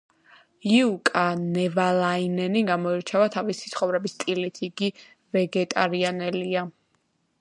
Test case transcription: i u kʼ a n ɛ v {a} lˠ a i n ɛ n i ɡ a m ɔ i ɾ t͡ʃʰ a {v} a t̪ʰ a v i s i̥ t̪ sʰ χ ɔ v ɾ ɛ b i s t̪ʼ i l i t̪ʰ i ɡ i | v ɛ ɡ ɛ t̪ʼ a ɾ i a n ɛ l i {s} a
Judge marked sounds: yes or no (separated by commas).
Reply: yes, yes, no